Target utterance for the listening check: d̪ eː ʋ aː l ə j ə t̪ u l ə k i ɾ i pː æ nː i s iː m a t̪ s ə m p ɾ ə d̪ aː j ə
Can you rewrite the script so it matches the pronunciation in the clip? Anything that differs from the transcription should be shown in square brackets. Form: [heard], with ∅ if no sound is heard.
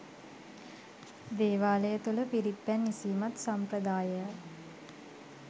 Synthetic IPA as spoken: d̪ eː ʋ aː l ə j ə t̪ u l ə [p] i ɾ i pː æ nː i s iː m a t̪ s [a] m p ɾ ə d̪ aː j ə